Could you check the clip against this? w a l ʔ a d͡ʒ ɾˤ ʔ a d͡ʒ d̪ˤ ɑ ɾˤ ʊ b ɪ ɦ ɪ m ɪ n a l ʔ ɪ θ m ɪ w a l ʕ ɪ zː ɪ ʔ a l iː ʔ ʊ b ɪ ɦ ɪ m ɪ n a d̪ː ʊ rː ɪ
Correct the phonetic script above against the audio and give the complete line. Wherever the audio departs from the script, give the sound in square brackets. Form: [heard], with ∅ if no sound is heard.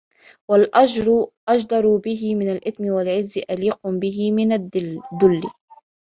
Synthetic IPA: w a l ʔ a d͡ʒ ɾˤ ʔ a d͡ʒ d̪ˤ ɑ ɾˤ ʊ b ɪ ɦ ɪ m ɪ n a l ʔ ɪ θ m ɪ w a l ʕ ɪ zː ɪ ʔ a l iː [q] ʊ b ɪ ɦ ɪ m ɪ n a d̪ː ʊ [lː] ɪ